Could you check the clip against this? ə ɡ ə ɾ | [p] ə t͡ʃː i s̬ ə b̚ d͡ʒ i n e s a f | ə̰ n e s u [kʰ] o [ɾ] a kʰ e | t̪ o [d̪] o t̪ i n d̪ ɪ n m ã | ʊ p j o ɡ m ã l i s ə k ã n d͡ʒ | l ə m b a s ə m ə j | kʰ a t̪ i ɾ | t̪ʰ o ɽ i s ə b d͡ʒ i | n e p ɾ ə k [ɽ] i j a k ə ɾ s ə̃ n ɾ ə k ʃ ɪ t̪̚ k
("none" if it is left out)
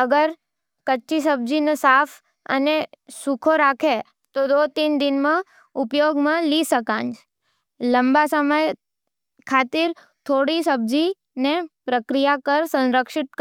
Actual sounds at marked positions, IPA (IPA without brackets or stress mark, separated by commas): k, kʰ, ɾ, d̪, ɾ